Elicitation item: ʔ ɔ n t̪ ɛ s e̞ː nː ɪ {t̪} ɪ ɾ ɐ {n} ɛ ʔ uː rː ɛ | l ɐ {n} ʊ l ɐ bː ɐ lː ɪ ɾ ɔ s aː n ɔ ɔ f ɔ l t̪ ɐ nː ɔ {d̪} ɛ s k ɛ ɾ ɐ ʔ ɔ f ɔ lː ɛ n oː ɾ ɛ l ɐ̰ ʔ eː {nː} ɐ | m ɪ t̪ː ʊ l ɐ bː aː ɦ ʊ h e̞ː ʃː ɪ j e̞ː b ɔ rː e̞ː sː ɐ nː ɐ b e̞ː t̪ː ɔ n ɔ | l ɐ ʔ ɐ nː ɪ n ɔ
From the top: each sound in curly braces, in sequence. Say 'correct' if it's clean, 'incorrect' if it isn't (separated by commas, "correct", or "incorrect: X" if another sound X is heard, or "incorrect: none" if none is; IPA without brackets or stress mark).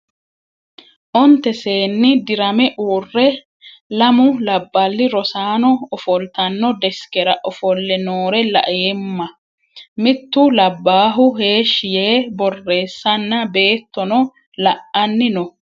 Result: incorrect: d̪, incorrect: m, incorrect: m, correct, incorrect: mː